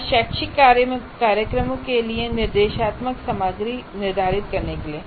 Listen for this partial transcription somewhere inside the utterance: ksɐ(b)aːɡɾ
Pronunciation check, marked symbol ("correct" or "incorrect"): incorrect